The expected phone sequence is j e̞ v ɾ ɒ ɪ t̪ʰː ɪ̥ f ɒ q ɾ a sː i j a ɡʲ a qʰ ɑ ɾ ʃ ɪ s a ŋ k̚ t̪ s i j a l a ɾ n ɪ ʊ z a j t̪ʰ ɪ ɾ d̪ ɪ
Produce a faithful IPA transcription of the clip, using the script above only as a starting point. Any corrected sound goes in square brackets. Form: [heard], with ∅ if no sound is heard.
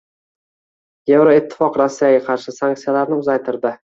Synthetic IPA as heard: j e̞ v ɾ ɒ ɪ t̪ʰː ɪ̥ f ɒ q ɾ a sː i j a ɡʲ a qʰ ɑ ɾ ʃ ɪ s a ŋ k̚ t̪ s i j a l a ɾ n ɪ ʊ z a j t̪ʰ ɪ ɾ d̪ ɪ